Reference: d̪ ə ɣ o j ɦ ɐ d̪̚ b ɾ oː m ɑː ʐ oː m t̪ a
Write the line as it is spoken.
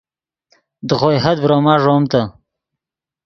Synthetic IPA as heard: d̪ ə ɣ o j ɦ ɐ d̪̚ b ɾ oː m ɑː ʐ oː m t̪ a